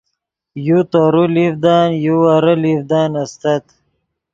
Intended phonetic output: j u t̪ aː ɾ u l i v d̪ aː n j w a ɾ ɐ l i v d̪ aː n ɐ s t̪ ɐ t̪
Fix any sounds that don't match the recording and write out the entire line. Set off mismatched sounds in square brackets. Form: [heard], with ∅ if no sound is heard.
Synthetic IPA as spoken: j u t̪ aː ɾ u l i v d̪ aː n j [u] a ɾ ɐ l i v d̪ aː n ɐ s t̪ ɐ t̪